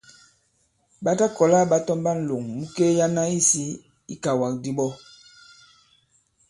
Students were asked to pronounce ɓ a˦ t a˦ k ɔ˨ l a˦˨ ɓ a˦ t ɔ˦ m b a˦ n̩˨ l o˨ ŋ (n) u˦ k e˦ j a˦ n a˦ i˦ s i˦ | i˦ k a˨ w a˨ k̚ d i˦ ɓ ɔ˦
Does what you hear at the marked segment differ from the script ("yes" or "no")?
yes